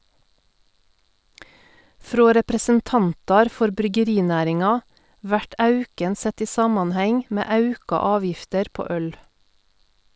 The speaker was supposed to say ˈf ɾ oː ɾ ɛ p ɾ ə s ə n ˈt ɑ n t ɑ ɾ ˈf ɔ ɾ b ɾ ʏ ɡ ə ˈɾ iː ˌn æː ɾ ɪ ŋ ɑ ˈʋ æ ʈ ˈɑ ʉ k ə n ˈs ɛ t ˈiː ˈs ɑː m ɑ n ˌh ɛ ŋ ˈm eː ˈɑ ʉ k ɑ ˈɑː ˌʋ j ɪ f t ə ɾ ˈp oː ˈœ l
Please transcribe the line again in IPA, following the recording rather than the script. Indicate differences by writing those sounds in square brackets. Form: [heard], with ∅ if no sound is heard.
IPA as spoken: ˈf ɾ oː ɾ ɛ p ɾ ə s ə n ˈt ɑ n t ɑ ɾ ˈf ɔ ɾ b ɾ ʏ ɡ ə ˈɾ iː ˌn æː ɾ ɪ ŋ ɑ ˈʋ æ ʈ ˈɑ ʉ k ə n ˈs ɛ t ˈiː ˈs ɑː m ɑ n ˌh ɛ ŋ ˈm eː ˈɑ ʉ k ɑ ˈɑː ˌʋ j ɪ f t ə ɾ ˈp oː ˈœ l